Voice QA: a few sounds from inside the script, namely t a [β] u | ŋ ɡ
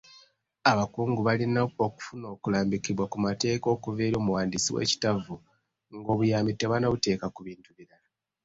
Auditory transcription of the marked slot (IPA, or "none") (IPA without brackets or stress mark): v